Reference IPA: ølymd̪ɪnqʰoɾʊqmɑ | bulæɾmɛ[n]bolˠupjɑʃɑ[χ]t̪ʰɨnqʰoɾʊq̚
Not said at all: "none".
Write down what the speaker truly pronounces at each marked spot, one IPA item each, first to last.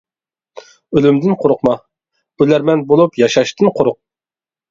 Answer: n, ʃ

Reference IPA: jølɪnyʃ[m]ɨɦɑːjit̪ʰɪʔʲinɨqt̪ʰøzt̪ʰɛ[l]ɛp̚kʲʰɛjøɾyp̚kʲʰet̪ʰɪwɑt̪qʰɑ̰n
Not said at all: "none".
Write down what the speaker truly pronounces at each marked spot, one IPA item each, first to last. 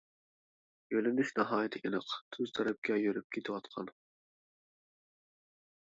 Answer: n, ɾ

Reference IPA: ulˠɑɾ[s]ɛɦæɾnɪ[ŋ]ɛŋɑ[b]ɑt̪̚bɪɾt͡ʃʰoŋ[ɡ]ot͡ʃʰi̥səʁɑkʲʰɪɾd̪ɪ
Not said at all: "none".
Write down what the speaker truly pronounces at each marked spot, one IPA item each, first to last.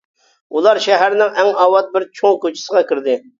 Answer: ʃ, ŋ, w, k

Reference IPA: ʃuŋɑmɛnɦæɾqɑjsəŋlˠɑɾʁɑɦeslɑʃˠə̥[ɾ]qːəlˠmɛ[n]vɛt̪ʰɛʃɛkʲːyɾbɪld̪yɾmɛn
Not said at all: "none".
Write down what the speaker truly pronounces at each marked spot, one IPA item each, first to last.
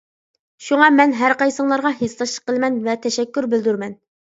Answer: none, n

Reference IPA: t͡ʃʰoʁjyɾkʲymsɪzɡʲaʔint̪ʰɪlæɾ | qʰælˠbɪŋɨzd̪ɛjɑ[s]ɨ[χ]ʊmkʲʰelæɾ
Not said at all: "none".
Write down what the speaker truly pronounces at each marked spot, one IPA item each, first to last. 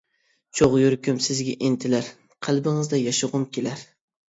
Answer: ʃ, ʁ

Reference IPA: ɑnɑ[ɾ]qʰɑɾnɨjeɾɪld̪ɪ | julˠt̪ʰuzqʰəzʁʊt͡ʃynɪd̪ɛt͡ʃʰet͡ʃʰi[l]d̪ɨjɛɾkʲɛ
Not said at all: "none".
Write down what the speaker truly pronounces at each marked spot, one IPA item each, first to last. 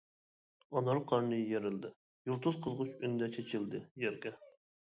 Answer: ɾ, l

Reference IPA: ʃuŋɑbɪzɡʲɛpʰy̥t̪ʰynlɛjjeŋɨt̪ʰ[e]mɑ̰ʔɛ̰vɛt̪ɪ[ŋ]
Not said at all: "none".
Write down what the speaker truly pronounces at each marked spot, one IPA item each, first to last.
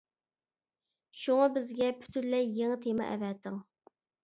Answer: e, ŋ

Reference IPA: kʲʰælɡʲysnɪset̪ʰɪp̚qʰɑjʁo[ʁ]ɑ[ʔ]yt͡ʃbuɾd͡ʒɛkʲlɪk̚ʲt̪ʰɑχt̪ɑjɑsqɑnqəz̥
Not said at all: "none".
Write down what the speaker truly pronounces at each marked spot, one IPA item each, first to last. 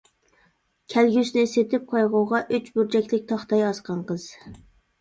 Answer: ʁ, ʔ

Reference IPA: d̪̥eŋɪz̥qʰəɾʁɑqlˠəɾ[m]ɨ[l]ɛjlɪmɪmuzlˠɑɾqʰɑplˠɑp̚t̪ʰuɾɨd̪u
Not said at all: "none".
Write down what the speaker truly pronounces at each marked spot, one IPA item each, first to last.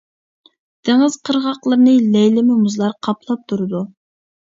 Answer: n, l

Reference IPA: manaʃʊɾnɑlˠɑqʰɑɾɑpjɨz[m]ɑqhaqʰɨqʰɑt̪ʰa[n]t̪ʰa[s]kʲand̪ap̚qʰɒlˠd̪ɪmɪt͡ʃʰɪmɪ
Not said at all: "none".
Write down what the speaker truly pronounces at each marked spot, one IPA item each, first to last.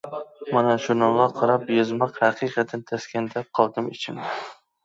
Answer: m, n, s

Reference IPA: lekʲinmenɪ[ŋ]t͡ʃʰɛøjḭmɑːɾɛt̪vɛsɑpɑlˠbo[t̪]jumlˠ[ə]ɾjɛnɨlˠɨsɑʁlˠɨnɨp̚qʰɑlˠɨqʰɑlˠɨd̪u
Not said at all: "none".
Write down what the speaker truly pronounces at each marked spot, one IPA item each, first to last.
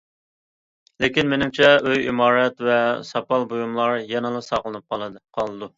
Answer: m, none, ɑ

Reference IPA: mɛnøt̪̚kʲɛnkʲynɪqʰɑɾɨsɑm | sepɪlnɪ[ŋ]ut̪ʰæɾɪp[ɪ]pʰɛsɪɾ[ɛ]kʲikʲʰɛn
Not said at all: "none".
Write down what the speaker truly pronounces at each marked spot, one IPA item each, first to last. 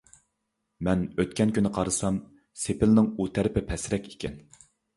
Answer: ŋ, ɪ, ɛ

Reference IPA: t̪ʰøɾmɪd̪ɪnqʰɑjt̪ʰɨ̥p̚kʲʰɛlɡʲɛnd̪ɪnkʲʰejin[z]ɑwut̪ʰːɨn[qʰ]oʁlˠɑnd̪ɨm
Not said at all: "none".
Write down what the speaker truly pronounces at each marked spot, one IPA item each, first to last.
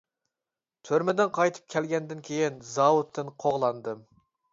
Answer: z, qʰ

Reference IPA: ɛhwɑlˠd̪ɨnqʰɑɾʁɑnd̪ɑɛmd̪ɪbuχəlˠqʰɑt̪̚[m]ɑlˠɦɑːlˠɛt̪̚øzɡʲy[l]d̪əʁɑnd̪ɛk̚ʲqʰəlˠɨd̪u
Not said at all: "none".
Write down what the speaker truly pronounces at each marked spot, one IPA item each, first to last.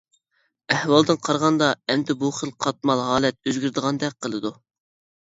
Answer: m, ɾ

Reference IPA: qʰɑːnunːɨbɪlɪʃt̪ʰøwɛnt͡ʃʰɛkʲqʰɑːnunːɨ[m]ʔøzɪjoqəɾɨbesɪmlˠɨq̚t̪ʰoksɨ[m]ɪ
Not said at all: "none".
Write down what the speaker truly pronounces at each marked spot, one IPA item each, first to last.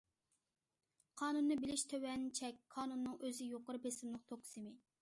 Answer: ŋ, m

